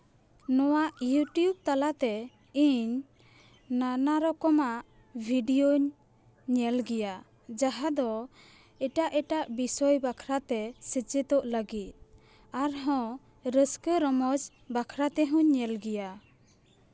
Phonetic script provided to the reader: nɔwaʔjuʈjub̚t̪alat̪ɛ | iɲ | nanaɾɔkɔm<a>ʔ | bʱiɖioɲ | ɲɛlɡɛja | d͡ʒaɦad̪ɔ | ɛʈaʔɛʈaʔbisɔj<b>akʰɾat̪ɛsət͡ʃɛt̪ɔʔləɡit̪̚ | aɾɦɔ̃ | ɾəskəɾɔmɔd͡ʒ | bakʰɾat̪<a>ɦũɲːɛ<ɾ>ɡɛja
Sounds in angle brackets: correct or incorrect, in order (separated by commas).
correct, correct, incorrect, incorrect